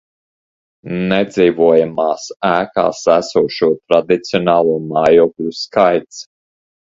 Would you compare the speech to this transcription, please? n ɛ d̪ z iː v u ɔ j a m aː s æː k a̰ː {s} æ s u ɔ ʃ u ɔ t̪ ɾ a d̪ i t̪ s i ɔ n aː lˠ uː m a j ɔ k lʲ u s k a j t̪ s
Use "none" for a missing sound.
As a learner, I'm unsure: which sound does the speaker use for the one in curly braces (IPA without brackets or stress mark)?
s